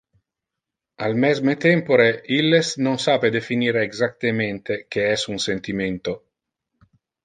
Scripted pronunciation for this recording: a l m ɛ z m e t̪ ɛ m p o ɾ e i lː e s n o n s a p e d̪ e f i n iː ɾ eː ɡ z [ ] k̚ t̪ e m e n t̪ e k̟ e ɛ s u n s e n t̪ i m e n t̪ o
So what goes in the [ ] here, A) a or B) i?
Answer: A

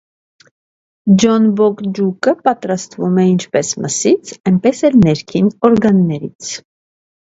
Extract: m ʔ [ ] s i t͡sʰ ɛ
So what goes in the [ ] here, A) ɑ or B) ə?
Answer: B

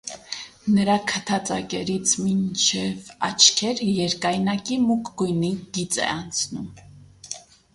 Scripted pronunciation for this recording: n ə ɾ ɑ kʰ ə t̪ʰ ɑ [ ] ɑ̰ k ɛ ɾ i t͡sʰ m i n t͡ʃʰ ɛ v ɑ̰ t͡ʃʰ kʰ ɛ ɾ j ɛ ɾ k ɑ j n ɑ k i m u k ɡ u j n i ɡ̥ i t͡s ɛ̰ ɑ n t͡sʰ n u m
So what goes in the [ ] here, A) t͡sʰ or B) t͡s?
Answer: B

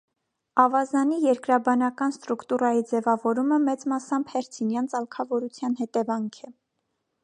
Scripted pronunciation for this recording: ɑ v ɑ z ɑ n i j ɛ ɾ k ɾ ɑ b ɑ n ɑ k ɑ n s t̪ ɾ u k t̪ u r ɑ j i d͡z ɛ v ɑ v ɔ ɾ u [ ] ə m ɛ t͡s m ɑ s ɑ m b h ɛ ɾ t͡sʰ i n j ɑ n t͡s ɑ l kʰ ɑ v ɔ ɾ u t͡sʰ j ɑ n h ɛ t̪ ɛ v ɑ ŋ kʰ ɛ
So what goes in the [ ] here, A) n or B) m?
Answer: B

